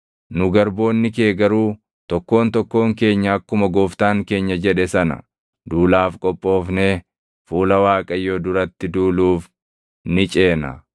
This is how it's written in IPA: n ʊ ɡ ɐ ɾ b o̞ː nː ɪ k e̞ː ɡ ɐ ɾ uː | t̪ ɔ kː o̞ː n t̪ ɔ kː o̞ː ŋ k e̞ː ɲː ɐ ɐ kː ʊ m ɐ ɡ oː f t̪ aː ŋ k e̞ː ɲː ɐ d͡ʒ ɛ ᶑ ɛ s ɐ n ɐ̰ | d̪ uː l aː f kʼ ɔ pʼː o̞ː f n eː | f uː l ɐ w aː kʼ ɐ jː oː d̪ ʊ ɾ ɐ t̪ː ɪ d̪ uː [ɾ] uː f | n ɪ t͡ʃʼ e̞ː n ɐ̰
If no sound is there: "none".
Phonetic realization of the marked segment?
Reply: l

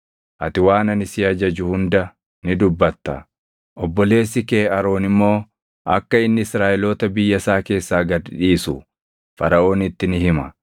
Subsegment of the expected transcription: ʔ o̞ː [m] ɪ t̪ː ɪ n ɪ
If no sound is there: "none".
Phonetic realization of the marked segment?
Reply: n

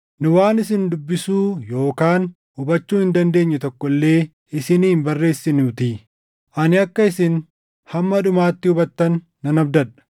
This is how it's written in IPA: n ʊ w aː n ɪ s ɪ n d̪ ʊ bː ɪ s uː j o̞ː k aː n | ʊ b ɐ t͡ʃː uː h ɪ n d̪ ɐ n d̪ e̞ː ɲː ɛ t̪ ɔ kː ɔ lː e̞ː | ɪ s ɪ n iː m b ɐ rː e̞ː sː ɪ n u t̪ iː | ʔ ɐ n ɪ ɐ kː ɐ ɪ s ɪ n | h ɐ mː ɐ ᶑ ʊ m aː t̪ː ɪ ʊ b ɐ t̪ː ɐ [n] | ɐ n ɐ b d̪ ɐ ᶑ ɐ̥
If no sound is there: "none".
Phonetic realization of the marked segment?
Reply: nː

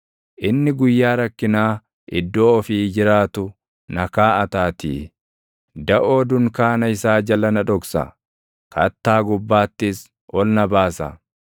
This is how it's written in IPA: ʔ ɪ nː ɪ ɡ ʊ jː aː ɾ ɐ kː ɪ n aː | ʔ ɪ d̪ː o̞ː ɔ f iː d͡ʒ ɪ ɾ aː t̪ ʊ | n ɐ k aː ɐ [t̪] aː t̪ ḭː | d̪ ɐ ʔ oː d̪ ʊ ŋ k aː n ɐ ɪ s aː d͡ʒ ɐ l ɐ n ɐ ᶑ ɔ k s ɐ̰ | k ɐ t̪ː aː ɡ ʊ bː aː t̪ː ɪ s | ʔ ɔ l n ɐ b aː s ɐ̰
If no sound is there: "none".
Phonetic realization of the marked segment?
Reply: t̪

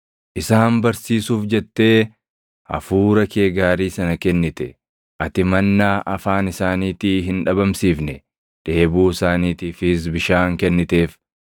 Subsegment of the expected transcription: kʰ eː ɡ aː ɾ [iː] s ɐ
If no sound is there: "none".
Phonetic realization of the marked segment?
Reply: iː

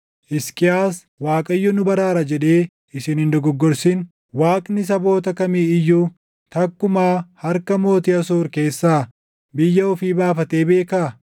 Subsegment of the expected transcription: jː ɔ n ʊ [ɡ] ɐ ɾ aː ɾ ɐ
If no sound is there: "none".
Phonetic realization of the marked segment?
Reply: b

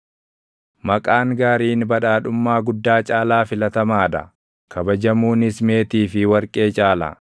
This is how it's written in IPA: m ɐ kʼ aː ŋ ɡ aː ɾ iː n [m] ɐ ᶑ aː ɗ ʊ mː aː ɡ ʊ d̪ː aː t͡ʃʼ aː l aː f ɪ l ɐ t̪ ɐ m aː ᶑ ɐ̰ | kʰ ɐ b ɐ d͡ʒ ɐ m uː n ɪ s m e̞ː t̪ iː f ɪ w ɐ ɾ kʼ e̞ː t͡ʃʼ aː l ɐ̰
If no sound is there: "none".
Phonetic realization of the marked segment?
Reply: b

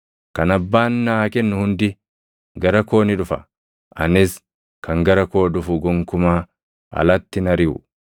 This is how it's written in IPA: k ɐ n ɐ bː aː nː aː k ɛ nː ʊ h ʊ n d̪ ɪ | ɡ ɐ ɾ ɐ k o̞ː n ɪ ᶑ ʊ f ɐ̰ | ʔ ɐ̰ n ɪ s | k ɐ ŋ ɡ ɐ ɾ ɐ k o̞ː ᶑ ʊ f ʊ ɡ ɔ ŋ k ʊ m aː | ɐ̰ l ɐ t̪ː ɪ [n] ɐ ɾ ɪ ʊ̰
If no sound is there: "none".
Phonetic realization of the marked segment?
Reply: n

